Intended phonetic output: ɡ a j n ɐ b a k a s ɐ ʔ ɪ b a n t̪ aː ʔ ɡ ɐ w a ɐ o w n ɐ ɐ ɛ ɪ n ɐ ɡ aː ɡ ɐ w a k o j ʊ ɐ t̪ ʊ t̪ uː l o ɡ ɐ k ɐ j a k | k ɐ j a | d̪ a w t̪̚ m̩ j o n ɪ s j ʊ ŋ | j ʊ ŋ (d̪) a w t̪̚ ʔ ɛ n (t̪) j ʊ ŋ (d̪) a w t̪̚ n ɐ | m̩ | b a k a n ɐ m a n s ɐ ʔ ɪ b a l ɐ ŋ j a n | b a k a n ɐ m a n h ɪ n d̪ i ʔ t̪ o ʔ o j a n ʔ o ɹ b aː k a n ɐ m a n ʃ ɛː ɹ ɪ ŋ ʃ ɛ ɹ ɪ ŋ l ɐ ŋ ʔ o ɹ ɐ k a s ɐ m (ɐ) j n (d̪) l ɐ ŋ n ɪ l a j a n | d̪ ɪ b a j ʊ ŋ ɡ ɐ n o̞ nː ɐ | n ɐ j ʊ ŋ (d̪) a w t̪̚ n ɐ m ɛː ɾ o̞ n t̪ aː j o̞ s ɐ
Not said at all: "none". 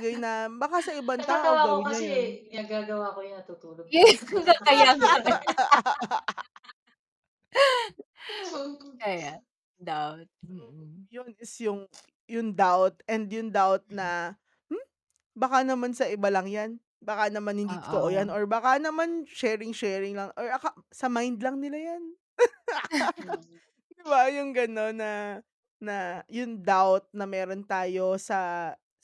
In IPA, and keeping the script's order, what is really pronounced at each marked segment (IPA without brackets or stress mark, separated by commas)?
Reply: d̪, d̪, d̪, a, d̪, d̪